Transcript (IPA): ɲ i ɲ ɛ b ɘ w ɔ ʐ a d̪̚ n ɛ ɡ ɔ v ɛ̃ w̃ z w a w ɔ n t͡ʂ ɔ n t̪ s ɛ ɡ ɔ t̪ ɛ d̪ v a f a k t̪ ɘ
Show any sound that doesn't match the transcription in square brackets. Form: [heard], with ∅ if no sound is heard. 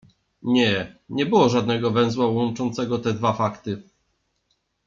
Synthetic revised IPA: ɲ [ɛ] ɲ ɛ b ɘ w ɔ ʐ a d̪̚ n ɛ ɡ ɔ v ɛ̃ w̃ z w a w ɔ n t͡ʂ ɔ n t̪ s ɛ ɡ ɔ t̪ ɛ d̪ v a f a k t̪ ɘ